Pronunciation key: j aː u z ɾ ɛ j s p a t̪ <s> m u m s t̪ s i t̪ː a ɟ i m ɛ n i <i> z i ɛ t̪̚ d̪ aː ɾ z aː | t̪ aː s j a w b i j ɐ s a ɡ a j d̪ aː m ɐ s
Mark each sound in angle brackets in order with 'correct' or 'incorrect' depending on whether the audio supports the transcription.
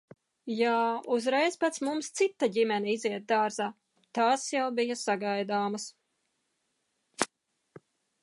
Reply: correct, correct

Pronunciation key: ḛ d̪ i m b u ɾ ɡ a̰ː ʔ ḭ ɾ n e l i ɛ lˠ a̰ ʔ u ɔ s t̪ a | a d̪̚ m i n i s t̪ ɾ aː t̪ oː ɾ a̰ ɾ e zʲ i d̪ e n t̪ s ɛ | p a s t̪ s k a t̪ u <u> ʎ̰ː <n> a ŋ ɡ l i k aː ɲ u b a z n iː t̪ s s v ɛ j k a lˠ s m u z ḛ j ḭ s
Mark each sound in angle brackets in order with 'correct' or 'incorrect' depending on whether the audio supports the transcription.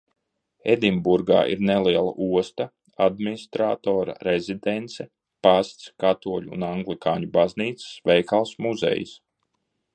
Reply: incorrect: ɔ, correct

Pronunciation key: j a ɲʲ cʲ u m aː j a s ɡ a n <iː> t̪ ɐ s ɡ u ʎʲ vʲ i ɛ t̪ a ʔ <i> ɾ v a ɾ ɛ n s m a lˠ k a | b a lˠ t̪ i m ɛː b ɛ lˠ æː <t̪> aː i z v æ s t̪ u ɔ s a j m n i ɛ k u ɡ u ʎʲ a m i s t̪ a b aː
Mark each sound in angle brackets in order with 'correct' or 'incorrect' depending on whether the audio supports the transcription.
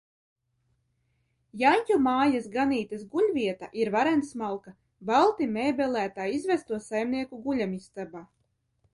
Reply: correct, correct, correct

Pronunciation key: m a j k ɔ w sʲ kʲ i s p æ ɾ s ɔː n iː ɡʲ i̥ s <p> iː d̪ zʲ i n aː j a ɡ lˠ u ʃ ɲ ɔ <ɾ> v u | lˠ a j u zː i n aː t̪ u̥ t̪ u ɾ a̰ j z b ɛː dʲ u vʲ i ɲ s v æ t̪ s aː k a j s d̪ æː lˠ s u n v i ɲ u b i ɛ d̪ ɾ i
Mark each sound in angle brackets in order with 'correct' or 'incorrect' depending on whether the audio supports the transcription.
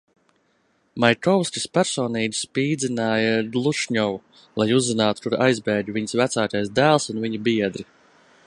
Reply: correct, incorrect: none

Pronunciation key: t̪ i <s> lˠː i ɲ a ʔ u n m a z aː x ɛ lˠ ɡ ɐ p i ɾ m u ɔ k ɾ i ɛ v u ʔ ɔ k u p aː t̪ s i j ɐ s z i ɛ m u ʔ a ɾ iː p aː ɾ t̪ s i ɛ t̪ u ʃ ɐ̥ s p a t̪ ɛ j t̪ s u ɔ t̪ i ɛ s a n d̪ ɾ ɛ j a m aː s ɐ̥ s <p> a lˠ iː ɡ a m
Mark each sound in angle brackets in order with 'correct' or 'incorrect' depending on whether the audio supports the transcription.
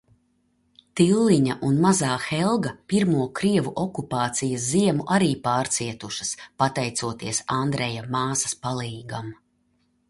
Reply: incorrect: none, correct

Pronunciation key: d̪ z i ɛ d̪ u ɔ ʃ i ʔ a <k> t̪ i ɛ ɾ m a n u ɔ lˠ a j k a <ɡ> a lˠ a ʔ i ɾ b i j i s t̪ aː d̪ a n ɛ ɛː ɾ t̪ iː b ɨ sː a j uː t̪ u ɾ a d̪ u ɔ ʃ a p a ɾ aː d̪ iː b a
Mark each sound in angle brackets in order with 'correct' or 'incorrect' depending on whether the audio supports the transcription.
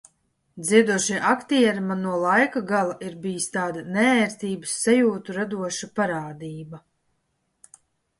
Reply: correct, correct

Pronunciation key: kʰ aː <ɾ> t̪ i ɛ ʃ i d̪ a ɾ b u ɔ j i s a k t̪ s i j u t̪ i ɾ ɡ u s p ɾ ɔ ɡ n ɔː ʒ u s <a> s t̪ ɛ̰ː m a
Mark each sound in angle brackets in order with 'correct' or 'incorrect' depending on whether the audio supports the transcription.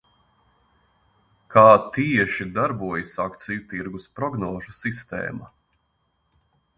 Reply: incorrect: none, incorrect: i

